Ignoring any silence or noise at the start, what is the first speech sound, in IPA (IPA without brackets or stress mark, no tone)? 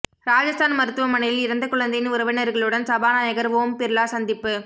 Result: ɾ